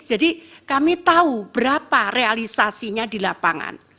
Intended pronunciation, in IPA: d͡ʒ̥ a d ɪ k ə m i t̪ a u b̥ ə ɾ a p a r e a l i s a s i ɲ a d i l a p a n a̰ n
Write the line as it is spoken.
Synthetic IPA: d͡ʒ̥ a d i k a m i t̪ a u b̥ ə ɾ a p a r e a l i s a s i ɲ a d i l a p a ŋ a̰ n